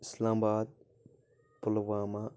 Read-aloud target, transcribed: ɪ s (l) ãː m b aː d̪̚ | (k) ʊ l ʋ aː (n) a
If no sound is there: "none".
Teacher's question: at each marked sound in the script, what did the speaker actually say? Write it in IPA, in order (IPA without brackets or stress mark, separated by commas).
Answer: l, p, m